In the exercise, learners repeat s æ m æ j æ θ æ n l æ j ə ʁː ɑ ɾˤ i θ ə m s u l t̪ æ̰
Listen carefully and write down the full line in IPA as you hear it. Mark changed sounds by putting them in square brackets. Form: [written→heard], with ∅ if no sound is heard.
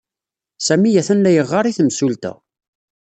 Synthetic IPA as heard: s æ m [æ→i] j æ θ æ n l æ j ə ʁː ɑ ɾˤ i θ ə m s u l t̪ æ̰